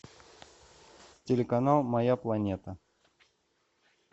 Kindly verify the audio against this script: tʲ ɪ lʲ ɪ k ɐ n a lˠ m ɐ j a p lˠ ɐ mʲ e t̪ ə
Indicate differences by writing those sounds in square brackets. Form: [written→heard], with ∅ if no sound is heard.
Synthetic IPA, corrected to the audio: tʲ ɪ lʲ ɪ k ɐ n a lˠ m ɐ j a p lˠ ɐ [mʲ→nʲ] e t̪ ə